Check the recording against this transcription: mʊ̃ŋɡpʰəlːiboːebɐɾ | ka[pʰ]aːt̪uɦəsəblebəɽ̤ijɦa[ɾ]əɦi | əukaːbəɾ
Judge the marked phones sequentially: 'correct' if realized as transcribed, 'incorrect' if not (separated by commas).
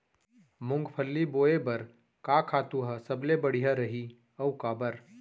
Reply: incorrect, correct